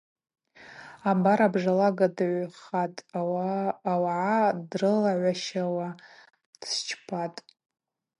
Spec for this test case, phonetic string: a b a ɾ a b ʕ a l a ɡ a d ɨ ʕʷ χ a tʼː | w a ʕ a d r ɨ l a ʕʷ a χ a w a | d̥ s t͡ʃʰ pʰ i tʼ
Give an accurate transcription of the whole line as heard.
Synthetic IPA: a b a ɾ a b ʐ a l a ɡ a d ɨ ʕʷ χ a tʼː | w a ʕ a d r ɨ l a ʕʷ a ʃ a w a | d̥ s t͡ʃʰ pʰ a tʼ